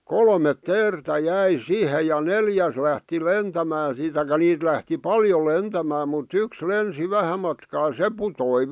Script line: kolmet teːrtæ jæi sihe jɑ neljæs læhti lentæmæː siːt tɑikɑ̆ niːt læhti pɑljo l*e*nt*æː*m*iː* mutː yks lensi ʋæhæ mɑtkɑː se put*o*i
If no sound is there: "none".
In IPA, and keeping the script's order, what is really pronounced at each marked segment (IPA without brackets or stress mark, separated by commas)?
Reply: e, æ, æː, o